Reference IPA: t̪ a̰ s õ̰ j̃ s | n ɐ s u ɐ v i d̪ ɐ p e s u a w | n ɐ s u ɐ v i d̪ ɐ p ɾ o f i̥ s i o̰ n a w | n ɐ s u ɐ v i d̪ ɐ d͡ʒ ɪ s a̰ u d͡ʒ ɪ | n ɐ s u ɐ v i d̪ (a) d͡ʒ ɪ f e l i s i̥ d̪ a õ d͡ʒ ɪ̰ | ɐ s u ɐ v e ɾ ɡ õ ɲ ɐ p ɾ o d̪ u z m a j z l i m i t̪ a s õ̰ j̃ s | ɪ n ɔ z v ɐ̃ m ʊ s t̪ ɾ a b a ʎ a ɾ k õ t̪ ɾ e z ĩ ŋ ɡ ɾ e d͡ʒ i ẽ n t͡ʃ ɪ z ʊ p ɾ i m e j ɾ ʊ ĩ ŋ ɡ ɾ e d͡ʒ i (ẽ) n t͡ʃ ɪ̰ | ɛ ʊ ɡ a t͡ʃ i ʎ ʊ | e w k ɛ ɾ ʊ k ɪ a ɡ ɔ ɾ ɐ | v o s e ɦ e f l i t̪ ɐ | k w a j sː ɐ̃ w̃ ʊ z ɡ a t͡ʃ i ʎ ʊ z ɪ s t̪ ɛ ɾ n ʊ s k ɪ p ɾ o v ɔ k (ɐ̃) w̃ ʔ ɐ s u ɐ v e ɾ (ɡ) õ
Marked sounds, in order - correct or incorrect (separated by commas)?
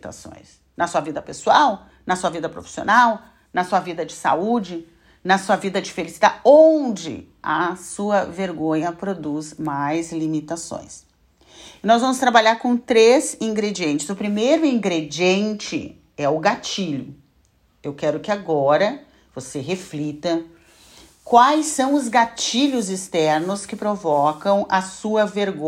incorrect, correct, correct, correct